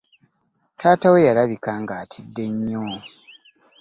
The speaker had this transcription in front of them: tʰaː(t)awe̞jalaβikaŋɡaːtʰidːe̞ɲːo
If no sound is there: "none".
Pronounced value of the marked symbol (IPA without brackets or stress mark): t